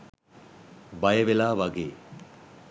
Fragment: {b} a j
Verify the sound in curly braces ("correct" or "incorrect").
correct